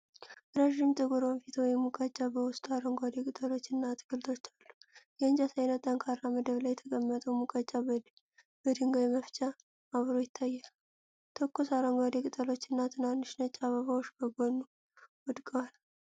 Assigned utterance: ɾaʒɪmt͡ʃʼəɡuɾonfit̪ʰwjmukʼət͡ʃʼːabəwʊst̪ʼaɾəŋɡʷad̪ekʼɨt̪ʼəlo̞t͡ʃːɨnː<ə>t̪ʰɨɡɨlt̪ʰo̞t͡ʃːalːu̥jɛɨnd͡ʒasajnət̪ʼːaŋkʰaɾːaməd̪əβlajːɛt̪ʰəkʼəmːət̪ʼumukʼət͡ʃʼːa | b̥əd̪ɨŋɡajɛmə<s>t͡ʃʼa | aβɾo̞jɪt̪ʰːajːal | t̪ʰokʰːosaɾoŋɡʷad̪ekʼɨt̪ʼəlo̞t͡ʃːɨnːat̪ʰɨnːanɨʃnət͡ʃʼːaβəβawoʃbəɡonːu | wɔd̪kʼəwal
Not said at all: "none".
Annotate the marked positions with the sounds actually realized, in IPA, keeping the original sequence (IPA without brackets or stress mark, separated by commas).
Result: a, f